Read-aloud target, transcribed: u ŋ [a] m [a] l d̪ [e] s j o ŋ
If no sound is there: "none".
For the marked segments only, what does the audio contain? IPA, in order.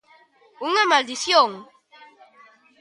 a, a, i

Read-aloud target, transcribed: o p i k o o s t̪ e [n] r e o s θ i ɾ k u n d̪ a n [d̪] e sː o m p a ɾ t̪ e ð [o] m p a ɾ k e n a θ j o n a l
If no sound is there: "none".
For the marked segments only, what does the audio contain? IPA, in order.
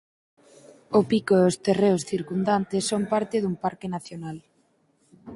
none, t̪, u

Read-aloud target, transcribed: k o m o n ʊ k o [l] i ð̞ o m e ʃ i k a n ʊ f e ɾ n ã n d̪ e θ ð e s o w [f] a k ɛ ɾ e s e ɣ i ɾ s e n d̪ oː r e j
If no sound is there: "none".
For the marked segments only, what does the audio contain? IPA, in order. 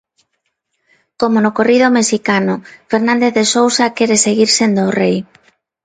r, s

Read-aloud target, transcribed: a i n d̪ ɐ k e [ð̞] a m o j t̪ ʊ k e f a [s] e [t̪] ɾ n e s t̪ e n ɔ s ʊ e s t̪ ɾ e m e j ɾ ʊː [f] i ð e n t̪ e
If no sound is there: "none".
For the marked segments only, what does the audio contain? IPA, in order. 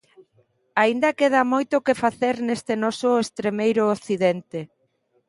ð̞, θ, none, θ

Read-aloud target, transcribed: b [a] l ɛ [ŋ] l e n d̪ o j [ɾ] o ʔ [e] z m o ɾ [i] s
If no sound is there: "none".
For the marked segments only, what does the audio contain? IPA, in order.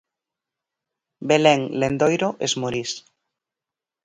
e, ŋ, ɾ, e, i

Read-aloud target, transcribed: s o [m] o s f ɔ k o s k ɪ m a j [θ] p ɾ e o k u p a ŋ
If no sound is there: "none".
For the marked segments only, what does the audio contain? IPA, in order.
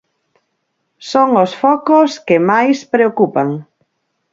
ŋ, s

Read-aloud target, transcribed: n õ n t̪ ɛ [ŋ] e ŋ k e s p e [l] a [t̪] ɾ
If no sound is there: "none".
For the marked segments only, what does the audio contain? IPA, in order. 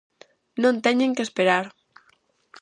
ɲ, ɾ, none

